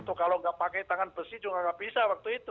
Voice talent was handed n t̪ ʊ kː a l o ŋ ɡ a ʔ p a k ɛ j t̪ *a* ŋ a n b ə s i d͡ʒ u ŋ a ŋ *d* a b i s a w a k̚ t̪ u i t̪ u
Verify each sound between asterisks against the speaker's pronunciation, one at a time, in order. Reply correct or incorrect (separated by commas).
correct, incorrect